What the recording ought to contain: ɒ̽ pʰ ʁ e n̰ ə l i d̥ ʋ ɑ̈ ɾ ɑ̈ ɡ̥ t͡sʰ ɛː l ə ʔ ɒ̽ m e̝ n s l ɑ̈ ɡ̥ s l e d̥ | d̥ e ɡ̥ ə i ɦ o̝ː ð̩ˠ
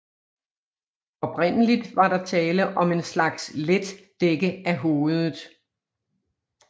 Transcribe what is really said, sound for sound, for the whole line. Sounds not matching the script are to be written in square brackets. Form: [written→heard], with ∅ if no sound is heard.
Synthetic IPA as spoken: ɒ̽ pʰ ʁ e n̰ ə l i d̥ ʋ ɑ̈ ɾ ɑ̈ [ɡ̥→∅] t͡sʰ ɛː l ə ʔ ɒ̽ m e̝ n s l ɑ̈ ɡ̥ s l e d̥ | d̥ e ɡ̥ ə [i→æ] ɦ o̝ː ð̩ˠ